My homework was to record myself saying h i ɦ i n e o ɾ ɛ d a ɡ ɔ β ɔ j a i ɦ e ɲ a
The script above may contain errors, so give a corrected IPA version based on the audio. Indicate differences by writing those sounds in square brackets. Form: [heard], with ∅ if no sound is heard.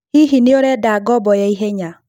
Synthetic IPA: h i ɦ i n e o ɾ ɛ d a ɡ ɔ [b] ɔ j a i ɦ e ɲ a